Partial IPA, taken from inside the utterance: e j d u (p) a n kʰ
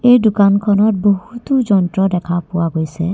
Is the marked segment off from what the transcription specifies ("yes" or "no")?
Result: yes